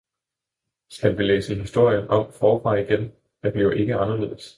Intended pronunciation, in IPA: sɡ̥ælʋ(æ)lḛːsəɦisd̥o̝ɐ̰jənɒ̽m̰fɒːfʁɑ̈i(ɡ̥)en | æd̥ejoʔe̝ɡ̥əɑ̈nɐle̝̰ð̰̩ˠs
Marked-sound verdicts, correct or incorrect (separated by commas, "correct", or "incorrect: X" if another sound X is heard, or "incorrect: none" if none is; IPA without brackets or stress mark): incorrect: i, correct